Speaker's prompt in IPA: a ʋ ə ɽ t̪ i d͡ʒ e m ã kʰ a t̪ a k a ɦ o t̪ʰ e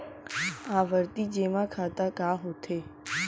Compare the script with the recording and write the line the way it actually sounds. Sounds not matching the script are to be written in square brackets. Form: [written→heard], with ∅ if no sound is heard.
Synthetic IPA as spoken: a ʋ ə [ɽ→ɾ] t̪ i d͡ʒ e m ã kʰ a t̪ a k a ɦ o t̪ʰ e